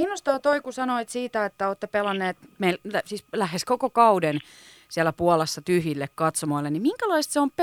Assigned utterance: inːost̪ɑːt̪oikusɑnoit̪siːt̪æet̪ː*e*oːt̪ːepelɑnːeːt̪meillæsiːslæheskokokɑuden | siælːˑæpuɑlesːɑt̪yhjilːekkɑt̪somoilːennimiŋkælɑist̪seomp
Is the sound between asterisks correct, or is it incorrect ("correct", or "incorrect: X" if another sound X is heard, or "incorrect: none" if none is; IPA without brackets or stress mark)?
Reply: incorrect: æ